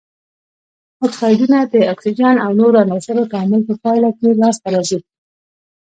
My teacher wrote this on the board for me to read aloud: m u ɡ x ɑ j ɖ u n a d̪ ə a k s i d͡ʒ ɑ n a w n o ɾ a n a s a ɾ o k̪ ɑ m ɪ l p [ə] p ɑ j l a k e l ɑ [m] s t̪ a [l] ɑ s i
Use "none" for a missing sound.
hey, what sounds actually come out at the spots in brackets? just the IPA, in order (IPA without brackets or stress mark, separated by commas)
ə, none, ɾ